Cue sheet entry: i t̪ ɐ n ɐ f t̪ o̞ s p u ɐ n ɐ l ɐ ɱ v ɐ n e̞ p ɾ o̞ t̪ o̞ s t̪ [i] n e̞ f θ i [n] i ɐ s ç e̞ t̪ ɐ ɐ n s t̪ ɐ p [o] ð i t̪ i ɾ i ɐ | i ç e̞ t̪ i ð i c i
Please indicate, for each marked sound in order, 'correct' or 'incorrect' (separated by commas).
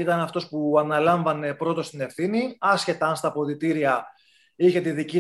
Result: correct, correct, correct